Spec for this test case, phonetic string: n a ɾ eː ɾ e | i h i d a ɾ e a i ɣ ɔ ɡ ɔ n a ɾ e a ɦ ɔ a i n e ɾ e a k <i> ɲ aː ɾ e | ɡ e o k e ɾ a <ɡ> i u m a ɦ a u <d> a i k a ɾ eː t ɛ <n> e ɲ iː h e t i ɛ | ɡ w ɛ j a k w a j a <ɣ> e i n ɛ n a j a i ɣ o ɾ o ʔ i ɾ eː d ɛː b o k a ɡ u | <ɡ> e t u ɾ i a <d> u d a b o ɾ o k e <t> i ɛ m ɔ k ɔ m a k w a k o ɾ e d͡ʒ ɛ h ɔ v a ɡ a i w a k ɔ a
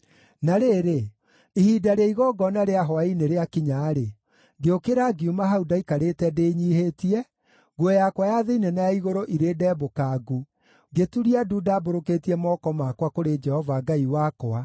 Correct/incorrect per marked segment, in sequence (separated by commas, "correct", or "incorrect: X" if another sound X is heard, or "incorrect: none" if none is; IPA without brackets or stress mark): correct, correct, correct, incorrect: d, incorrect: ð, correct, correct, correct